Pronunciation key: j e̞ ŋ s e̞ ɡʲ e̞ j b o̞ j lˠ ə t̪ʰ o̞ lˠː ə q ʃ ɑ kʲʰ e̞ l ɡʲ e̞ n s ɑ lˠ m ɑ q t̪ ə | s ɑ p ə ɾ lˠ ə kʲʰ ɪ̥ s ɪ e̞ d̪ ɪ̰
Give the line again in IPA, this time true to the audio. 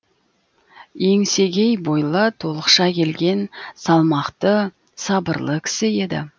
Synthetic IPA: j e̞ ŋ s e̞ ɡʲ e̞ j b o̞ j lˠ ə t̪ʰ o̞ lˠ ə q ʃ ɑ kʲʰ e̞ l ɡʲ e̞ n s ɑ lˠ m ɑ q t̪ ə | s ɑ b ə ɾ lˠ ə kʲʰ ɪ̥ s ɪ e̞ d̪ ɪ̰

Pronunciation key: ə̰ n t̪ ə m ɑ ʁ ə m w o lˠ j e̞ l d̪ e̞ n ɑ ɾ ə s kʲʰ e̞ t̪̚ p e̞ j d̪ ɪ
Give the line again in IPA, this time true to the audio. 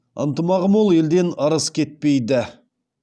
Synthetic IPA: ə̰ n t̪ ə m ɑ ʁ ə m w o lˠ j e̞ l d̪ e̞ n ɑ ɾ ə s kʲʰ e̞ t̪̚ p e̞ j d̪ ɪ

